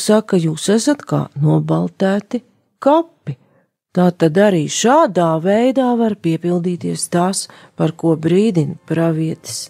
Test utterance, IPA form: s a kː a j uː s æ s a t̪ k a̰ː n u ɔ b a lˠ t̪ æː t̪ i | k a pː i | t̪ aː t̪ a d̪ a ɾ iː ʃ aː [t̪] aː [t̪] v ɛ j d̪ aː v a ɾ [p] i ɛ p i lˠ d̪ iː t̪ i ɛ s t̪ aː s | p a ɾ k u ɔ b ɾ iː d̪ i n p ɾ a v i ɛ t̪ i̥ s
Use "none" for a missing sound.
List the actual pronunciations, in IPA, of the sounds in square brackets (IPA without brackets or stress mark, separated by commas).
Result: d̪, none, p